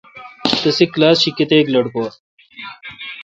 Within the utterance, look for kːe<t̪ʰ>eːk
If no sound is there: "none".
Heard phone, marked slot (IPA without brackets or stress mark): t̪